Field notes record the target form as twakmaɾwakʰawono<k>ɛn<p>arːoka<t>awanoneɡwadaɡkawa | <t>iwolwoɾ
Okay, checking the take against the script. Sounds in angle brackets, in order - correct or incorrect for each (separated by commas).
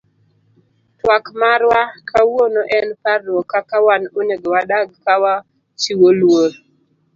incorrect, correct, incorrect, incorrect